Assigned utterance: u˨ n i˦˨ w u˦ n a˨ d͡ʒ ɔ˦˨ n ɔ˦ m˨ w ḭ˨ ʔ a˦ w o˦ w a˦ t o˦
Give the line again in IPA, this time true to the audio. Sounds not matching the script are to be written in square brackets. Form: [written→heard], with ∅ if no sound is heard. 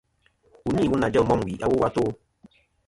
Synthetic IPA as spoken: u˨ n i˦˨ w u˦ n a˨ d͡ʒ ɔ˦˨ [n→m] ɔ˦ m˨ w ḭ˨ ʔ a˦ w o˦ w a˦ t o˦